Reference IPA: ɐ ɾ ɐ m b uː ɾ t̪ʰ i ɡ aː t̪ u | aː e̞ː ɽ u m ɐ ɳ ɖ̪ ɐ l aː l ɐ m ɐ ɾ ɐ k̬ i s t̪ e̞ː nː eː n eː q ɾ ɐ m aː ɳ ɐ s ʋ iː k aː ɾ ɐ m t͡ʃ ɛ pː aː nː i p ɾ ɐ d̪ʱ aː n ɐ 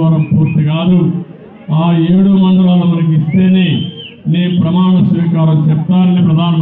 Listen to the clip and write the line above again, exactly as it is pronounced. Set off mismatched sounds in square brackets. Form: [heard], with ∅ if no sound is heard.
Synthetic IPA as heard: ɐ ɾ ɐ m [p] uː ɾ [t̪] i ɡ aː [d̪] u | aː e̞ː ɽ u m ɐ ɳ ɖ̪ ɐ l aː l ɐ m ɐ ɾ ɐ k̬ i s t̪ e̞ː [n] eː n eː [p] ɾ ɐ m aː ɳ ɐ s ʋ iː k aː ɾ ɐ m t͡ʃ ɛ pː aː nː i p ɾ ɐ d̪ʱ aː n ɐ